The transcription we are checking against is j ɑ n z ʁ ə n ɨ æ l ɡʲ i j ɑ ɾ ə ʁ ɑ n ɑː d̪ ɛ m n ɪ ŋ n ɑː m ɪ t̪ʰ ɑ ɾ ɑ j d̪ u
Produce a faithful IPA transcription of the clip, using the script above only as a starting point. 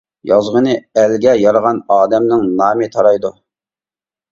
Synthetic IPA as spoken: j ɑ z ʁ ə n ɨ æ l ɡʲ ɛ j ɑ ɾ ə ʁ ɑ n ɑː d̪ ɛ m n ɪ ŋ n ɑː m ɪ t̪ʰ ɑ ɾ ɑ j d̪ u